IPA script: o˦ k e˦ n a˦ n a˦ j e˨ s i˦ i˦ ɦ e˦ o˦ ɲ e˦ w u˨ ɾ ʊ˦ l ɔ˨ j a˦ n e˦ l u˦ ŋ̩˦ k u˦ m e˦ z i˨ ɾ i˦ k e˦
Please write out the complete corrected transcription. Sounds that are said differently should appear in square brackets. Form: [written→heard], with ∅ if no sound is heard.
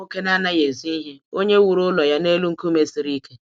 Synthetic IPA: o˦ k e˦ n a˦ n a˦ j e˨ [s→z] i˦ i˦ ɦ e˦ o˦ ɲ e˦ w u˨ ɾ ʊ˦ l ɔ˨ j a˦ n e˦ l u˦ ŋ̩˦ k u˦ m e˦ [z→s] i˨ ɾ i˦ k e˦